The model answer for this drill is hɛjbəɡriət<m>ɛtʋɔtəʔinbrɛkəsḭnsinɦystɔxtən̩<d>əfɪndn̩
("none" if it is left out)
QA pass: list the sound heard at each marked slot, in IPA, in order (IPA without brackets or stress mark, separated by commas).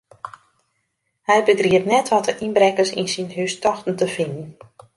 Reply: n, t